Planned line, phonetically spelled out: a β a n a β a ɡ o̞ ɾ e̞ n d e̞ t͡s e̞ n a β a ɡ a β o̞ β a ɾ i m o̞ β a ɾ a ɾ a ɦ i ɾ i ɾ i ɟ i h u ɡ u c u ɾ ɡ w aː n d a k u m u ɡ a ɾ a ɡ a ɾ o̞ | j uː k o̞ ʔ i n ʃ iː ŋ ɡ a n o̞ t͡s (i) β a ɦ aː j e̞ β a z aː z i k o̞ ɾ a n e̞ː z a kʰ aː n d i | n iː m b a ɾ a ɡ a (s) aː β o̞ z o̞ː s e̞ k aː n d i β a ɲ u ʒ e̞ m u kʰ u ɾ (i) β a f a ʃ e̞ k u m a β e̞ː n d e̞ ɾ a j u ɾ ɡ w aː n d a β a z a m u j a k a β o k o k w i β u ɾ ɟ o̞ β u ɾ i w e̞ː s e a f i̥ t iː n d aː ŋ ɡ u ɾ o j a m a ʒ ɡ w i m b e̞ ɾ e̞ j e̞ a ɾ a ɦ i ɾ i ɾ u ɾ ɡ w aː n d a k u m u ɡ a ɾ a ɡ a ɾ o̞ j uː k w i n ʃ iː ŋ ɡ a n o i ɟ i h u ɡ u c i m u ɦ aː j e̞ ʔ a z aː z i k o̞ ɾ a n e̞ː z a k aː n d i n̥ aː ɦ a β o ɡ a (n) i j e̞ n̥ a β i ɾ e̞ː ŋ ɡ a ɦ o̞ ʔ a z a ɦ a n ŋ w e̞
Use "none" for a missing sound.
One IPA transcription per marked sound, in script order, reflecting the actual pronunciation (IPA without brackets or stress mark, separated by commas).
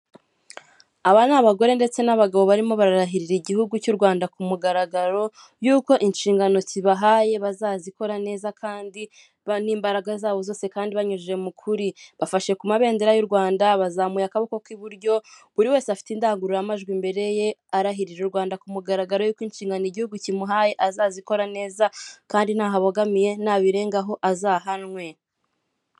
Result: i, z, i, m